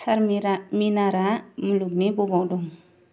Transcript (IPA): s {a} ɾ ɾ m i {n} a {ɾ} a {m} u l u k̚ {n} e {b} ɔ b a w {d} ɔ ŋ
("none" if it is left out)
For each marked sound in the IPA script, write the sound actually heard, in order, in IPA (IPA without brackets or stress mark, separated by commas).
a, n, ɾ, m, n, b, d